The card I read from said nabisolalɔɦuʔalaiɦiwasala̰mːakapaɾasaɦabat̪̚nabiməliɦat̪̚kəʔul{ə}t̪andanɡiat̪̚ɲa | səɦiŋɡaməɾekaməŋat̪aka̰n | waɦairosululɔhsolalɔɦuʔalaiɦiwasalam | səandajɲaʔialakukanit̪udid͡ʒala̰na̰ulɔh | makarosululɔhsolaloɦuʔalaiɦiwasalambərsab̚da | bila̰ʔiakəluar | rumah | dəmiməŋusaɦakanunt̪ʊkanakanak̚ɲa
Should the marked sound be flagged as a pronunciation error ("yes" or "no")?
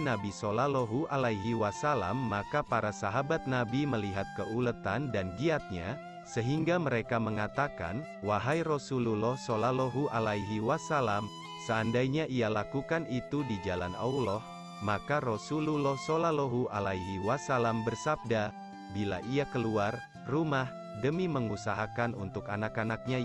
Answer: no